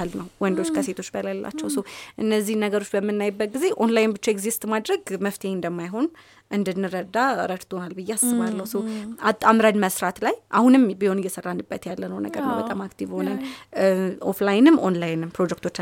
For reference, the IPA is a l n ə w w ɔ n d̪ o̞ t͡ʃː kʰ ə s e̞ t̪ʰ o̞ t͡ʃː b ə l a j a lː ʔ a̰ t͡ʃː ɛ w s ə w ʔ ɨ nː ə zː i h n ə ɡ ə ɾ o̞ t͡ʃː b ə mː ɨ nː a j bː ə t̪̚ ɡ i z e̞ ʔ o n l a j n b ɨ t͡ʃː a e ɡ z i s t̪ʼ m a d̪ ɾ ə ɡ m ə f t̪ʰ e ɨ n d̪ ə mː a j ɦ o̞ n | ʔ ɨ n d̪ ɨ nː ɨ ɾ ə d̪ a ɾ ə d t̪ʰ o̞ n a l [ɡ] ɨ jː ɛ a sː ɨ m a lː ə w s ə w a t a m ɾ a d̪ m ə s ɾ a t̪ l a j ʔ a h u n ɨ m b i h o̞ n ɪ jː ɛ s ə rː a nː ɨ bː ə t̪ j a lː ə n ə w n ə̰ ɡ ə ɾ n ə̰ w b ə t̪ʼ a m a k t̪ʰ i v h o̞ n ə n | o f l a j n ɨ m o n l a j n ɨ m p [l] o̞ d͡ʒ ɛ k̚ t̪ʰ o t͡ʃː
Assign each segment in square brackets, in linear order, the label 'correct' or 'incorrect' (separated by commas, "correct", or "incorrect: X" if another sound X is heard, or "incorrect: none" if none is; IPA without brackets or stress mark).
incorrect: b, incorrect: ɾ